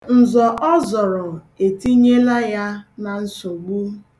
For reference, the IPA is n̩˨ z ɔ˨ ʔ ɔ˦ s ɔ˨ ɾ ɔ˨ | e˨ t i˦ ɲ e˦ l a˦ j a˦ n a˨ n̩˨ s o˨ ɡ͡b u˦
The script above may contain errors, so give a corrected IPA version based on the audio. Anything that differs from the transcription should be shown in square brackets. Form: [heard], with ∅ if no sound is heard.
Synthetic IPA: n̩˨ z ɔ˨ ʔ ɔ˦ [z] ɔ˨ ɾ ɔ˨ | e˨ t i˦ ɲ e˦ l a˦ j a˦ n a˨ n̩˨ s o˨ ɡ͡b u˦

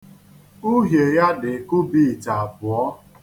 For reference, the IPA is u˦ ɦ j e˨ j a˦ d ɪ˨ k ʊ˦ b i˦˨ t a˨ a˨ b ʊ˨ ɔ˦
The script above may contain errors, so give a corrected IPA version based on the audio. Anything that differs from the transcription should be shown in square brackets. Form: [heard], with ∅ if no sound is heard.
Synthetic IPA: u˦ ɦ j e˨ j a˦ d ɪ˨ k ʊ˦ b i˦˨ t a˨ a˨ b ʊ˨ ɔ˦

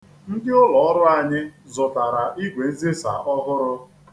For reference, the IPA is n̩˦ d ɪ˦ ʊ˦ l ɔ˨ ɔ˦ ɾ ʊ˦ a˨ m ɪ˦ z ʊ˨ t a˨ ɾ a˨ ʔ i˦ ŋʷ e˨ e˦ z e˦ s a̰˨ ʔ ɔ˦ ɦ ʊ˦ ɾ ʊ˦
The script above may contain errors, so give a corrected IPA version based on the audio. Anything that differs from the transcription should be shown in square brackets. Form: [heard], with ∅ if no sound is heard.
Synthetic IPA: n̩˦ d ɪ˦ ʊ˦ l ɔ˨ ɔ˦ ɾ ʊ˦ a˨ [ɲ] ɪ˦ z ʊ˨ t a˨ ɾ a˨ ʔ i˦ [ɡʷ] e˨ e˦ z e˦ s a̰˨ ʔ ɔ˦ ɦ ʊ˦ ɾ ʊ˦

